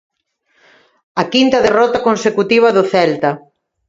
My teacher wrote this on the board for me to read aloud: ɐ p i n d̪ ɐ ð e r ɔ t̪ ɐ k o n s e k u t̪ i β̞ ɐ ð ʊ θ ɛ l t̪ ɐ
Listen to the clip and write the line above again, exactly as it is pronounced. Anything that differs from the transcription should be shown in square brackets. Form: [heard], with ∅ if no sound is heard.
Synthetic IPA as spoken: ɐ [k] i n [t̪] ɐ ð e r ɔ t̪ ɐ k o n s e k u t̪ i β̞ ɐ ð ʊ θ ɛ l t̪ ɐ